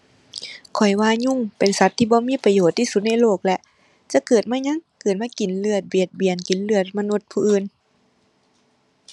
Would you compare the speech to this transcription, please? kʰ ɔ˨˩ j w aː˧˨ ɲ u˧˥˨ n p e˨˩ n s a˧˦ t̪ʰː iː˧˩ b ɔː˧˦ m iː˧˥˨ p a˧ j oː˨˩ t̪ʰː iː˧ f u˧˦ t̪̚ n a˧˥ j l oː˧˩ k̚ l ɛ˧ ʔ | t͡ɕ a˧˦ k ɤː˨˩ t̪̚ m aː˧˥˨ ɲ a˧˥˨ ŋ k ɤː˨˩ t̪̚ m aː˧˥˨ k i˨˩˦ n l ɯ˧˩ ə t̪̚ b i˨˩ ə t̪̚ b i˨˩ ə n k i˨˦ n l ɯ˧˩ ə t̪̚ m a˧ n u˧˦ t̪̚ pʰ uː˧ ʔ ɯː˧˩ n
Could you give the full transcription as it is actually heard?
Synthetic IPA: kʰ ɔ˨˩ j w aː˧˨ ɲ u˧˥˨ ŋ p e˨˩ n s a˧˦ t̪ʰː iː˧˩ b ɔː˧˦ m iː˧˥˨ p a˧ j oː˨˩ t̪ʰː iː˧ s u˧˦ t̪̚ n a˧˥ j l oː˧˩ k̚ l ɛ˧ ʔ | t͡ɕ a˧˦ k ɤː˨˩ t̪̚ m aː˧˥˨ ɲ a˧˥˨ ŋ k ɤː˨˩ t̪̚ m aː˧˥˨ k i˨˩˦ n l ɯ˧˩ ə t̪̚ b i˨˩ ə t̪̚ b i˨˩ ə n k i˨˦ n l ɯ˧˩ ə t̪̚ m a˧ n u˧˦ t̪̚ pʰ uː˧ ʔ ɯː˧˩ n

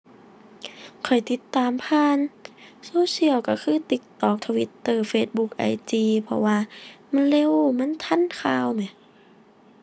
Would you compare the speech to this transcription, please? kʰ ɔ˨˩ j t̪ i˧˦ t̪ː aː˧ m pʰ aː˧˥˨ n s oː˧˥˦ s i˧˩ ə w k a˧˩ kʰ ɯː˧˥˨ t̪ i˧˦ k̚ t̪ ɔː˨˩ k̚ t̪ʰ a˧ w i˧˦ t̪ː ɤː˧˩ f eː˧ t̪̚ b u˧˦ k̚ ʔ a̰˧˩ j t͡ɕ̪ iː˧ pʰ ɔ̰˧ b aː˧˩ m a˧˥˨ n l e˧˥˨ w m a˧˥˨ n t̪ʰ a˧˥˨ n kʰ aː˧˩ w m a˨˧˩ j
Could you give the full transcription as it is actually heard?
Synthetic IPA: kʰ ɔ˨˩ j t̪ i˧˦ t̪ː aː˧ m pʰ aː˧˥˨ n s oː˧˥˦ s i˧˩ ə w k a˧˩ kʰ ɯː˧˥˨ t̪ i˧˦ k̚ t̪ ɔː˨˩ k̚ t̪ʰ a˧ w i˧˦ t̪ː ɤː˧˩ f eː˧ t̪̚ b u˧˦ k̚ ʔ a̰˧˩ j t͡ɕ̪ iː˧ pʰ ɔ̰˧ w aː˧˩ m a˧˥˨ n l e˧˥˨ w m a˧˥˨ n t̪ʰ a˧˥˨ n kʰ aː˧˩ w m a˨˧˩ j

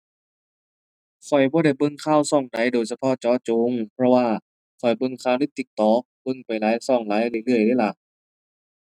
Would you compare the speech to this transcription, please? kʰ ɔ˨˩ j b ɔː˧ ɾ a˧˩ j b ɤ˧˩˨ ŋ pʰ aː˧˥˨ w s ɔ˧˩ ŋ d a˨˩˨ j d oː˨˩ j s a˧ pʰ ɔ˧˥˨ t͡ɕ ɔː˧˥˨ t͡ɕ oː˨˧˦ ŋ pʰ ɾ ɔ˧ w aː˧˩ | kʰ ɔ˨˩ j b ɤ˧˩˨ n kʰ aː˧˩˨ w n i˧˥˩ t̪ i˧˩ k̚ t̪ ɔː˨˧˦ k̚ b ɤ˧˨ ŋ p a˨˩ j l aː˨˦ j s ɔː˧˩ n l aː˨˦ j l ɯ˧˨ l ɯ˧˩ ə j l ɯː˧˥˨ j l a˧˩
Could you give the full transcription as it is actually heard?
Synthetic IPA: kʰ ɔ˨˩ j b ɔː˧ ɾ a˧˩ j b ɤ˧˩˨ ŋ kʰ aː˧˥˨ w s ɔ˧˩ ŋ d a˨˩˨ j d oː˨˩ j s a˧ pʰ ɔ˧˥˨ t͡ɕ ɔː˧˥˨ t͡ɕ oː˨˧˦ ŋ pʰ ɾ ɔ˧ w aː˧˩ | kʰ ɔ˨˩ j b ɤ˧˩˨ ŋ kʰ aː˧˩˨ w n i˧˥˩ t̪ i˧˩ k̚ t̪ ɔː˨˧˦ k̚ b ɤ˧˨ ŋ p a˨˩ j l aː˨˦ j s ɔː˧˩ ŋ l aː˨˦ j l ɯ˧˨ l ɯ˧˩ ə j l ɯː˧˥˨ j l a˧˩

